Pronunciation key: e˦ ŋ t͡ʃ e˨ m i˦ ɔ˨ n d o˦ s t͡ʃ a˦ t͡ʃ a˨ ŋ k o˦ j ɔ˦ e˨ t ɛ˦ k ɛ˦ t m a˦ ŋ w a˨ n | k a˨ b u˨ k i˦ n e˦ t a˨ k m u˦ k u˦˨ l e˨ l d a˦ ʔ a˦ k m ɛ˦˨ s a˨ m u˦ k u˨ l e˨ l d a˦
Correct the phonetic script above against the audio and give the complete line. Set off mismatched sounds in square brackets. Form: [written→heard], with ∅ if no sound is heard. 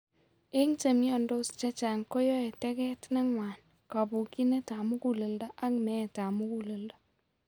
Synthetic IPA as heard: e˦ ŋ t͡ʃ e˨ m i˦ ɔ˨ n d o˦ s t͡ʃ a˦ t͡ʃ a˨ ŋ k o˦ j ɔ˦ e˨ t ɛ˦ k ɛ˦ t [m→n] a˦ ŋ w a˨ n | k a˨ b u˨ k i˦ n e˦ t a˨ [k→∅] m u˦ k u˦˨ l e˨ l d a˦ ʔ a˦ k m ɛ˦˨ [s→t] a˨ m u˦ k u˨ l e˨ l d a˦